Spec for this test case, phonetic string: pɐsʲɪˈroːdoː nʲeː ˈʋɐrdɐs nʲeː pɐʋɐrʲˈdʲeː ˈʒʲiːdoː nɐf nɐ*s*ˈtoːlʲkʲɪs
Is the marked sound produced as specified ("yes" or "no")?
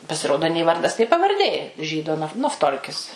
no